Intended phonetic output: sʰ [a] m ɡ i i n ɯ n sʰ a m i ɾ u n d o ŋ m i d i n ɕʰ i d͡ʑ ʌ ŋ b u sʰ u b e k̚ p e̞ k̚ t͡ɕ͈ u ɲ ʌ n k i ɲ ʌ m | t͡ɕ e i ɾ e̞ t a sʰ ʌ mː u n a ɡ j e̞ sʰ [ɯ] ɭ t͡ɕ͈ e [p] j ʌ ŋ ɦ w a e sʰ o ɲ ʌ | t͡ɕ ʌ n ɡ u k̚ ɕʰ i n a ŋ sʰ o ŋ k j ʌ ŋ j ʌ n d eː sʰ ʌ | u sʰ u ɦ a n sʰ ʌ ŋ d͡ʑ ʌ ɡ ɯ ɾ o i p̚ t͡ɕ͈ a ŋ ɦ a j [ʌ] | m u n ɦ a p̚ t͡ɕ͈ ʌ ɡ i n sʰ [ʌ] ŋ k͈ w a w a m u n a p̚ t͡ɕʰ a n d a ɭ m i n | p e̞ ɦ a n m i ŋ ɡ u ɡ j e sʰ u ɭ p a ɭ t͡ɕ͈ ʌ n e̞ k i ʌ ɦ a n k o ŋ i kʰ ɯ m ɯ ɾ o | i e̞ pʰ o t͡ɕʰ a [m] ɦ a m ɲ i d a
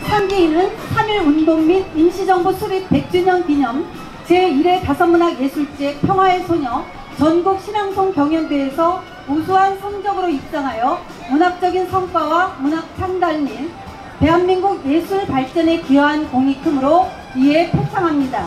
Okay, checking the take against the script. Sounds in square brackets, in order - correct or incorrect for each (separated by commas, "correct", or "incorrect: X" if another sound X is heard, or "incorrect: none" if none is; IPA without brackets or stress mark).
correct, incorrect: u, incorrect: pʰ, correct, correct, incorrect: ŋ